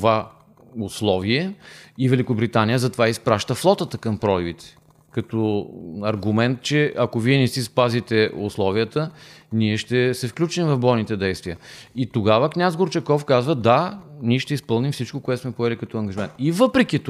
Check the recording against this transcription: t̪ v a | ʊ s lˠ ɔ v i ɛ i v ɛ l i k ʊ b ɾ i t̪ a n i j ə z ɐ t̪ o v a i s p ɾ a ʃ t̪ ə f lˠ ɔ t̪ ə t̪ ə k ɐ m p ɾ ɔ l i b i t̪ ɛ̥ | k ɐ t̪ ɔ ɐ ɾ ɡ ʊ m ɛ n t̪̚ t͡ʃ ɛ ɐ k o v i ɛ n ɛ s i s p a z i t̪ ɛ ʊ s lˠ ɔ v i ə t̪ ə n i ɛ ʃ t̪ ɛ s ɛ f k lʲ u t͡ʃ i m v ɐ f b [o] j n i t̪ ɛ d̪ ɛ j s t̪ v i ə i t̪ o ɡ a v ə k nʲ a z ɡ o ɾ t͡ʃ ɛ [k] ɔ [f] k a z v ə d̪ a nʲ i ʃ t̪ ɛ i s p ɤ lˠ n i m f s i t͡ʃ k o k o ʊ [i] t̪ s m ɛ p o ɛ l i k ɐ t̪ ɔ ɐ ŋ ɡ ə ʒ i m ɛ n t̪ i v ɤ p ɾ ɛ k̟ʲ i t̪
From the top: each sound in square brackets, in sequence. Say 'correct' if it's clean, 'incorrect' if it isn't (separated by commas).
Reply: incorrect, correct, correct, incorrect